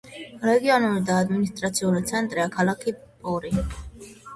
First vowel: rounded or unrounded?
unrounded